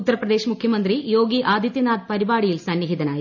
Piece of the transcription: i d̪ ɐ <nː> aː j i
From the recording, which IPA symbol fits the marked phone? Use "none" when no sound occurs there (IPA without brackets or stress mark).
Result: n